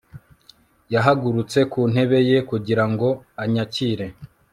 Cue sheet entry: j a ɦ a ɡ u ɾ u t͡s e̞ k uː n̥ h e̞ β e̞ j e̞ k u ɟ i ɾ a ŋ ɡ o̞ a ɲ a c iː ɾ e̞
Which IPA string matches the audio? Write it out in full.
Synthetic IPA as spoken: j a ɦ a ɡ u ɾ u t͡s e̞ k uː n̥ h e̞ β e̞ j e̞ k u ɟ i ɾ a ŋ ɡ o̞ a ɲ a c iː ɾ e̞